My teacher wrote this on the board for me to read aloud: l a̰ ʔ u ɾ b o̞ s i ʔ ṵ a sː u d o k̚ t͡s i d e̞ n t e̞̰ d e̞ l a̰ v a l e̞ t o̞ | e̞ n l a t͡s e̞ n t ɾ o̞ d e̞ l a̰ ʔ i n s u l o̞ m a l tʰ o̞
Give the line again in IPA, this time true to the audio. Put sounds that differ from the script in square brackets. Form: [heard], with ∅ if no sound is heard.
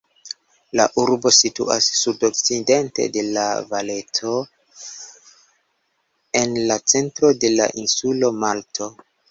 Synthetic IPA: l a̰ ʔ u ɾ b o̞ s i [t] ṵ a sː u d o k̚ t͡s i d e̞ n t e̞̰ d e̞ l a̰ v a l e̞ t o̞ | e̞ n l a t͡s e̞ n t ɾ o̞ d e̞ l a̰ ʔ i n s u l o̞ m a l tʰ o̞

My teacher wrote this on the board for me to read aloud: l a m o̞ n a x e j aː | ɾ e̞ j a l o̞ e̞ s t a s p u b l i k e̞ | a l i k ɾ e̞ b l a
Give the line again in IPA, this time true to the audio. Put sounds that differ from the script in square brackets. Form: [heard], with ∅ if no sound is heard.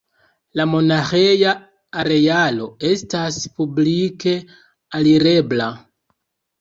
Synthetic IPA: l a m o̞ n a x e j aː | ɾ e̞ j a l o̞ e̞ s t a s p u b l i k e̞ | a l i [∅] ɾ e̞ b l a

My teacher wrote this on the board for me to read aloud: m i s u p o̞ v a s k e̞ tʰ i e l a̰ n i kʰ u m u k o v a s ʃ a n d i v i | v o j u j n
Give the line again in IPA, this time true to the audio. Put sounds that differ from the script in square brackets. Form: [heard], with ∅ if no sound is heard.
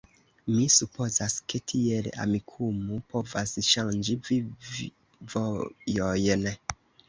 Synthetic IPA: m i s u p o̞ [z] a s k e̞ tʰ i e l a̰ [m] i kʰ u m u [p] o v a s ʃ a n [d͡ʒ] i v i | v o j [o] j n

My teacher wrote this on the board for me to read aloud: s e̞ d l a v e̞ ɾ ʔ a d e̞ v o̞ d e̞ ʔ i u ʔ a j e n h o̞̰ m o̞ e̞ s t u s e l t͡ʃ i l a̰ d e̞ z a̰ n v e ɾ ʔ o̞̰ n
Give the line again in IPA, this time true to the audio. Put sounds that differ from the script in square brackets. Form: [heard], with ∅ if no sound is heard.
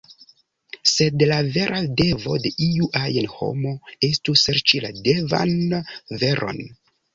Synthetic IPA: s e̞ d l a v e̞ ɾ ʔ a d e̞ v o̞ d e̞ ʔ i u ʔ a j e n h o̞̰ m o̞ e̞ s t u s e [ɾ] t͡ʃ i l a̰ d e̞ [v] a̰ n v e ɾ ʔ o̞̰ n

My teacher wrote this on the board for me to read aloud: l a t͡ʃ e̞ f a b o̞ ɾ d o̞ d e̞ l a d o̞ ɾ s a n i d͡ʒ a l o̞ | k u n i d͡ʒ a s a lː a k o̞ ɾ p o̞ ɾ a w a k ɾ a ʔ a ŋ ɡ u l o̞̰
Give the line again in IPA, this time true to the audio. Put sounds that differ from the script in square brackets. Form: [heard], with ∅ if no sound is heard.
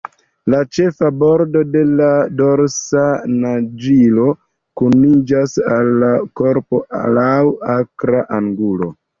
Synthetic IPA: l a t͡ʃ e̞ f a b o̞ ɾ d o̞ d e̞ l a d o̞ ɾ s a n [a] d͡ʒ [i] l o̞ | k u n i d͡ʒ a s a lː a k o̞ ɾ p o̞ [l] a w a k ɾ a ʔ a ŋ ɡ u l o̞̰

